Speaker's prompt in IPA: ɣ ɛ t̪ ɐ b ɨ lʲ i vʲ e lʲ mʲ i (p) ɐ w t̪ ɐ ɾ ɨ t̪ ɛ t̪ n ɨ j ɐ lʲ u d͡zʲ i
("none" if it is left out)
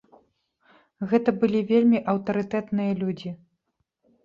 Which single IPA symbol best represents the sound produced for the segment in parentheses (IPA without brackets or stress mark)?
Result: ʔ